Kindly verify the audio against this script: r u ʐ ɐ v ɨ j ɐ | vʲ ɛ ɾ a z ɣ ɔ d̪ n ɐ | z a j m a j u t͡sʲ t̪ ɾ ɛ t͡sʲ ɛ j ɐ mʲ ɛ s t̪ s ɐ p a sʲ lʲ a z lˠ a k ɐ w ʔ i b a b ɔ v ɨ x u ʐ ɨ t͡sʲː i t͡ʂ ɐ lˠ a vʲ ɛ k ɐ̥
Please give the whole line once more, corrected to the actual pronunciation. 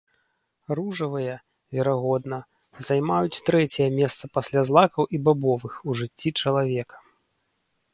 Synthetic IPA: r u ʐ ɐ v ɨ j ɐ | vʲ ɛ ɾ a ɣ ɔ d̪ n ɐ | z a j m a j u t͡sʲ t̪ ɾ ɛ t͡sʲ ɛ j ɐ mʲ ɛ s t̪ s ɐ p a sʲ lʲ a z lˠ a k ɐ w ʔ i b a b ɔ v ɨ x u ʐ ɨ t͡sʲː i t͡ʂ ɐ lˠ a vʲ ɛ k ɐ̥